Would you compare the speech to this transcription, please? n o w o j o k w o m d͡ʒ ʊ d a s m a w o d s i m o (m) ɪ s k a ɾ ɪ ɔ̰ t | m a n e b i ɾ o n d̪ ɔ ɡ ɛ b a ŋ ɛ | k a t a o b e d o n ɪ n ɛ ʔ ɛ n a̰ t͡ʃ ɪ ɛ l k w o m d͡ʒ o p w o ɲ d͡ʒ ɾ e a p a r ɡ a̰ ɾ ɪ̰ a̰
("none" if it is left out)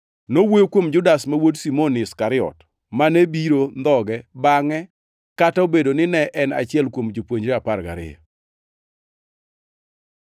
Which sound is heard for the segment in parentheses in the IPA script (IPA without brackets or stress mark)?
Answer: n